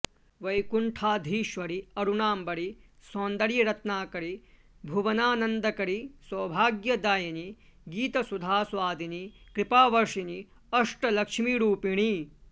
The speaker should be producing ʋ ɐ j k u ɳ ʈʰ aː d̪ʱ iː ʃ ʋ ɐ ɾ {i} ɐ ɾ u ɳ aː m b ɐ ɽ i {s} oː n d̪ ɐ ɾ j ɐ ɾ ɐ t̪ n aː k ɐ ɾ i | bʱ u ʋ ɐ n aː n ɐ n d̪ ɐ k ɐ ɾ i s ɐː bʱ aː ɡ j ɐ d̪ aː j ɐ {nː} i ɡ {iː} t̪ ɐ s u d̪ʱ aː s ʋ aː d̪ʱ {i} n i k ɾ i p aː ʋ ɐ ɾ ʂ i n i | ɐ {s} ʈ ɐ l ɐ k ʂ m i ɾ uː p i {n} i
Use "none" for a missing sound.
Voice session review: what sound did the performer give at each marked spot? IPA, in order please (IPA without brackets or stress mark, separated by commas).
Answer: i, s, n, iː, i, ʂ, ɳ